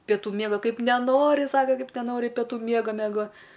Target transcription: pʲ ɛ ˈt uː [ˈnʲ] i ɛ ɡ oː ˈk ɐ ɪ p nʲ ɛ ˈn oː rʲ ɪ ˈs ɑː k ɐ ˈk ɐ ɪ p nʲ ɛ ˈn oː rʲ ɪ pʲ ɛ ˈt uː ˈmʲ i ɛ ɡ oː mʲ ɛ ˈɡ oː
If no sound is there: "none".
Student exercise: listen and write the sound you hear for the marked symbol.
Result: mʲ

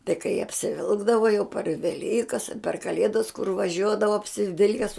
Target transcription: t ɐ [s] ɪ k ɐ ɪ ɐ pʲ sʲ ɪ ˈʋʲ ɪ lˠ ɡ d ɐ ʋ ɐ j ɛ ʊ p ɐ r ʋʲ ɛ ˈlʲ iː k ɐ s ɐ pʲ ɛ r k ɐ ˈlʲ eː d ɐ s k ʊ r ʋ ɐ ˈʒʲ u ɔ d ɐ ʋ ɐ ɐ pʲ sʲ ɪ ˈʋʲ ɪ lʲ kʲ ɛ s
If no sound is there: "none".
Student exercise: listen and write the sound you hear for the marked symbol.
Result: none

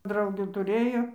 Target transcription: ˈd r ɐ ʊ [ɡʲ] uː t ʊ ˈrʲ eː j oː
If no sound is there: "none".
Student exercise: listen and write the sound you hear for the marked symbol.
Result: ɡʲ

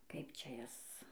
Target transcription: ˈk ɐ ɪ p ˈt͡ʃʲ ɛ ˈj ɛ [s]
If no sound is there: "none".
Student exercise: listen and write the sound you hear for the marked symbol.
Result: s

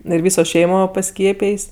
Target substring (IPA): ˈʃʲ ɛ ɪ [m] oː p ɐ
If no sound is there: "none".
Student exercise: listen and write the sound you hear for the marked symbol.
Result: m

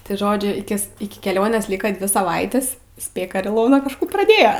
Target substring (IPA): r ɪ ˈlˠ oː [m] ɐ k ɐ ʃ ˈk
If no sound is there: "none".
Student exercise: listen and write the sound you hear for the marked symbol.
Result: n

